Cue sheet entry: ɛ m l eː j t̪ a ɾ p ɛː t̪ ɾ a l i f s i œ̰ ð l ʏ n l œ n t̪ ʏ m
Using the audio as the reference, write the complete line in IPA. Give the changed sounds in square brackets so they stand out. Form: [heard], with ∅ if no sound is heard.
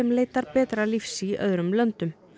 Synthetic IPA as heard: ɛ m l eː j t̪ a ɾ p ɛː t̪ ɾ a l i f s i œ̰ ð [ɾ] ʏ [m] l œ n t̪ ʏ m